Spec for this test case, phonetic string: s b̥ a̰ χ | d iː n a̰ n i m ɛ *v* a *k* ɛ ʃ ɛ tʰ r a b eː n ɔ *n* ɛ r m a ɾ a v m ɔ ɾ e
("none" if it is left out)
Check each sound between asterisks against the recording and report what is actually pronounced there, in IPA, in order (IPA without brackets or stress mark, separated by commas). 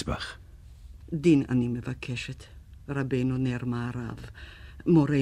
v, kʰ, n